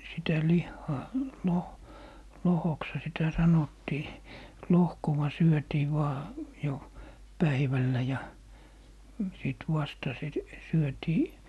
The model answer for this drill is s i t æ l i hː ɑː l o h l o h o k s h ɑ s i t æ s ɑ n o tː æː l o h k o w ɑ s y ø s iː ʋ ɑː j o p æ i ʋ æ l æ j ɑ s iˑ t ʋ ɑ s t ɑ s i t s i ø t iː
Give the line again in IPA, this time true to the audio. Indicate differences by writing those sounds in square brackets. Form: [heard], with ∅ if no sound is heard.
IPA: s i t æ l i hː ɑː l o h l o h o k s h ɑ s i t æ s ɑ n o tː [iː] l o h k o w ɑ s y ø [t] iː ʋ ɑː j o p æ i ʋ æ [lː] æ j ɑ s iˑ t ʋ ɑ s t ɑ s i t s [y] ø t iː